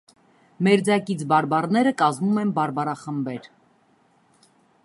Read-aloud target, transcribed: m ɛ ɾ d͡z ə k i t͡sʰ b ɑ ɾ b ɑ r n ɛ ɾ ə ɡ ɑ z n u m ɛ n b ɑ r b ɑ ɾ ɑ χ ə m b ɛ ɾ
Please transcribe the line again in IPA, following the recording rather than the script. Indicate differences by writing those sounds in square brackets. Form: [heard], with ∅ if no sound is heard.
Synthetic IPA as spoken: m ɛ ɾ d͡z [ɑ] k i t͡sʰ b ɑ ɾ b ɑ r n ɛ ɾ ə [k] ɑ z [m] u m ɛ n b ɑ [ɾ] b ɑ ɾ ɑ χ ə m b ɛ ɾ